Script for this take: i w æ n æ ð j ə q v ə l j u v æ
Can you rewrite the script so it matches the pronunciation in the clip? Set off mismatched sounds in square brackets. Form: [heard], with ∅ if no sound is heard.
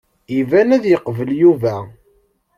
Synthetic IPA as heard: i [v] æ n æ ð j ə q v ə l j u v æ